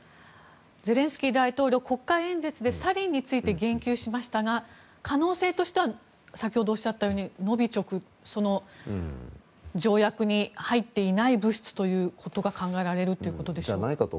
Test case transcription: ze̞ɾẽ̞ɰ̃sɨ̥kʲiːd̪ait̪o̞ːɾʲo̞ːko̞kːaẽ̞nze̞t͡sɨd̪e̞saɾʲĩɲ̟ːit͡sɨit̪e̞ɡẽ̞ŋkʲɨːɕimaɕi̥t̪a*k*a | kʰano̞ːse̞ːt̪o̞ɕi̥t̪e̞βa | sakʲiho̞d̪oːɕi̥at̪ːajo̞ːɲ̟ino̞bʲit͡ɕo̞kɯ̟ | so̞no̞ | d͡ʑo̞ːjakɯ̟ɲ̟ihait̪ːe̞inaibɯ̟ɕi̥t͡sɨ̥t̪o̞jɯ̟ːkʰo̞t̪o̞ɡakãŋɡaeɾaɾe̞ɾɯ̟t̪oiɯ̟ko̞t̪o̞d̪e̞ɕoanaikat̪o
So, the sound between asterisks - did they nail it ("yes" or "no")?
no